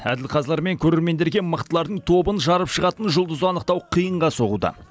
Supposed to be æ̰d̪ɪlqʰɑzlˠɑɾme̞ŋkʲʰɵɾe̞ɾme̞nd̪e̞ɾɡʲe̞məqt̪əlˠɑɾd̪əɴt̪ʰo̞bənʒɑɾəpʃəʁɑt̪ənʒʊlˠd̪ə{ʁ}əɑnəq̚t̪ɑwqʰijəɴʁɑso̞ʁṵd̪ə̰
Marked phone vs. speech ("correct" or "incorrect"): incorrect